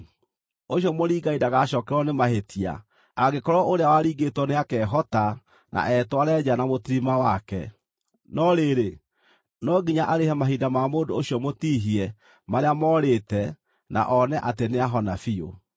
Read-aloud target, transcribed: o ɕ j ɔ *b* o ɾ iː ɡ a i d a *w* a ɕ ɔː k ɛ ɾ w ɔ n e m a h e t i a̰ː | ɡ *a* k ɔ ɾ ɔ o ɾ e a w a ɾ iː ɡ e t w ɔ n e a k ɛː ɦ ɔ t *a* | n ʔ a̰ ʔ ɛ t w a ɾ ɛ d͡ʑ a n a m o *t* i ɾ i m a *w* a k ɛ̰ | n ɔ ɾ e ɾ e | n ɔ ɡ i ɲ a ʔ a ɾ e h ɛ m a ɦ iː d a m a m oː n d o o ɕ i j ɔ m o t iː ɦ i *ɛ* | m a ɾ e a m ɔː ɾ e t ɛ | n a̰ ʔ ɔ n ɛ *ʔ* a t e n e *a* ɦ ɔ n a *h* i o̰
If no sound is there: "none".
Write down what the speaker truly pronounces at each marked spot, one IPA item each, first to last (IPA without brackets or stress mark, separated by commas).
m, ɣ, e, a, t, w, ɛ, ʔ, a, f